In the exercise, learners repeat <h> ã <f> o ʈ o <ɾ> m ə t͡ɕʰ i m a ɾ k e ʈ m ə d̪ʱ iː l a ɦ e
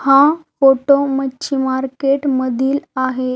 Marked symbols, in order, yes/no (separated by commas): yes, yes, no